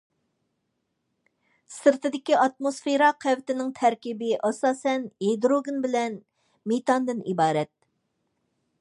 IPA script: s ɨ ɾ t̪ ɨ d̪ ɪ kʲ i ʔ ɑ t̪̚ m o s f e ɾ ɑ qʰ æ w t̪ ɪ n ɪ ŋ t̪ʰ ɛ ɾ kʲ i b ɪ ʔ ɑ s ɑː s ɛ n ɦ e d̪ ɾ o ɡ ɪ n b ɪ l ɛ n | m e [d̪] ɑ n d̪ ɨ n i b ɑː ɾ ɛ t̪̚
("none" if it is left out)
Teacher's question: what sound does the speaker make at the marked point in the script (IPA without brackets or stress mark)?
t̪